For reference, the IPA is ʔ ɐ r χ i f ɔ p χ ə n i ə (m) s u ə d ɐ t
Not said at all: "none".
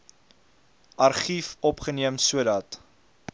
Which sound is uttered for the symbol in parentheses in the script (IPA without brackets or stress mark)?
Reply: m